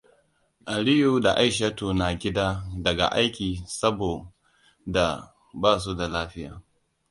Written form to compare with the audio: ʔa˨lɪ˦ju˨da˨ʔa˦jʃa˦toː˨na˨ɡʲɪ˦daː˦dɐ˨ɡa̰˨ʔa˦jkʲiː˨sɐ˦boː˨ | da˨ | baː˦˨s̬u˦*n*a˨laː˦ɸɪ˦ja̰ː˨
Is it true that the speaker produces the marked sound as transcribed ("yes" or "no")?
no